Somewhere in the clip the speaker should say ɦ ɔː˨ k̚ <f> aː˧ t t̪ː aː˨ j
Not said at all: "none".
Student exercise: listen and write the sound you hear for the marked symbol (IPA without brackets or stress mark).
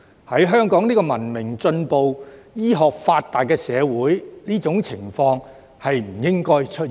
f